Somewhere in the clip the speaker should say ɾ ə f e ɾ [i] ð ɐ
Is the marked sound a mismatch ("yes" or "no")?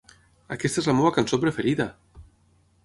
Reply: no